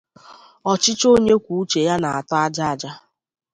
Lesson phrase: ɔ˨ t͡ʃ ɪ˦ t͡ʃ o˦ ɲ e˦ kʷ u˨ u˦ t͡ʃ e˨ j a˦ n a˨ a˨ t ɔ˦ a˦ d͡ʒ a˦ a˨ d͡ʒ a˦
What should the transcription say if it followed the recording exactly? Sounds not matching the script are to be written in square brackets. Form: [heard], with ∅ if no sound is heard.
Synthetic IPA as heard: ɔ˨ t͡ʃ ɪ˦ t͡ʃ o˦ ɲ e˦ kʷ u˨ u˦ t͡ʃ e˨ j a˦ n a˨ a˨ t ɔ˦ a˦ d͡ʒ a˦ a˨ d͡ʒ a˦